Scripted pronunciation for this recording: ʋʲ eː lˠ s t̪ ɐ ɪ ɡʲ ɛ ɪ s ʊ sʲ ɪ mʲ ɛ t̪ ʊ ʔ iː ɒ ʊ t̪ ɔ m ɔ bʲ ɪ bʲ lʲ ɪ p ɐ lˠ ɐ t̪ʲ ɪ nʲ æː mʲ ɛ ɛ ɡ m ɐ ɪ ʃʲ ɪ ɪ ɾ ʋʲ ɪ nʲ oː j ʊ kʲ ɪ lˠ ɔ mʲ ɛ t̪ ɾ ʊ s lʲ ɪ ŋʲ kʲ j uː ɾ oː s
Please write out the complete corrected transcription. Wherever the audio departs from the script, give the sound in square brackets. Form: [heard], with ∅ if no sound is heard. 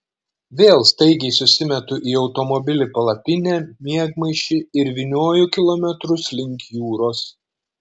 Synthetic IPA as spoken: ʋʲ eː lˠ s t̪ ɐ ɪ ɡʲ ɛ ɪ s ʊ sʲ ɪ mʲ ɛ t̪ ʊ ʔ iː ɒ ʊ t̪ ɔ m ɔ bʲ ɪ [∅] lʲ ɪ p ɐ lˠ ɐ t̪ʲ ɪ nʲ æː mʲ [i] ɛ ɡ m ɐ ɪ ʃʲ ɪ ɪ ɾ ʋʲ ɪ nʲ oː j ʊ kʲ ɪ lˠ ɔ mʲ ɛ t̪ ɾ ʊ s lʲ ɪ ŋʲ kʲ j uː ɾ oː s